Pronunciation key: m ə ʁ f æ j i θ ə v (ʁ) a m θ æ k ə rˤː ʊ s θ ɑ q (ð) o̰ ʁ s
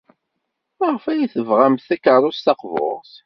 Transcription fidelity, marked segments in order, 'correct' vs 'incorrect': correct, incorrect: v

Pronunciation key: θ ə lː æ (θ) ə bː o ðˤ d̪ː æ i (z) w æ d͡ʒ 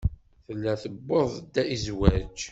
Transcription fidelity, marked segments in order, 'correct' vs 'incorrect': correct, correct

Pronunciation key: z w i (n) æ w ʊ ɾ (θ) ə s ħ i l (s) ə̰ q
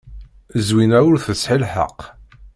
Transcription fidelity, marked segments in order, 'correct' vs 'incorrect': correct, correct, incorrect: ħ

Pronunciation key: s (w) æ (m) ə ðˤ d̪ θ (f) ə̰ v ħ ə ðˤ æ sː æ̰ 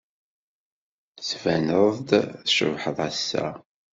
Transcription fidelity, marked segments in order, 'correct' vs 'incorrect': incorrect: v, incorrect: n, incorrect: ʃ

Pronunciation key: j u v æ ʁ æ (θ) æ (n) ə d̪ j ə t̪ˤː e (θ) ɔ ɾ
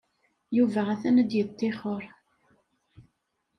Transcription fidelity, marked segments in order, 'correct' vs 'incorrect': correct, correct, incorrect: χ

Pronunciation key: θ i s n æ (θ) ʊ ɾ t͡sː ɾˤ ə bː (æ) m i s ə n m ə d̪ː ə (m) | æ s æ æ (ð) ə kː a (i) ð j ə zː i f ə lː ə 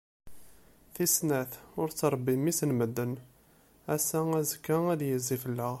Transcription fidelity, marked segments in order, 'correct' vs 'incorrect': correct, incorrect: i, incorrect: n, incorrect: z, incorrect: æ

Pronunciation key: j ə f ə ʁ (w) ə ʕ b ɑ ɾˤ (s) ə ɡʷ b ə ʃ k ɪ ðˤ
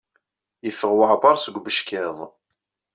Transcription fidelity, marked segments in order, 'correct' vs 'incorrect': correct, correct

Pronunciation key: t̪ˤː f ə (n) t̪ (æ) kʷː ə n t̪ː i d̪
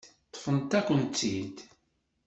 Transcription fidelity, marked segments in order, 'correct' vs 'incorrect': correct, correct

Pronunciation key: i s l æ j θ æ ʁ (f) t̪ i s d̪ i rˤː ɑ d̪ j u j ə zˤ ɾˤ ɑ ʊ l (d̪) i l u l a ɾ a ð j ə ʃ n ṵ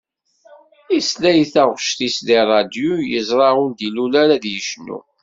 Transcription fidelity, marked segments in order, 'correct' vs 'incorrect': incorrect: ʃ, correct

